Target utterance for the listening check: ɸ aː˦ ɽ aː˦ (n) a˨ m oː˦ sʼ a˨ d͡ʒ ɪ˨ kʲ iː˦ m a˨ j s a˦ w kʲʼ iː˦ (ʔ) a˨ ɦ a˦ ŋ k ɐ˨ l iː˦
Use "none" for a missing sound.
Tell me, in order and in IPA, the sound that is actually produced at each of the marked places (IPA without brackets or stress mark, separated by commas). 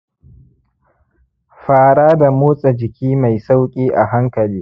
d, ʔ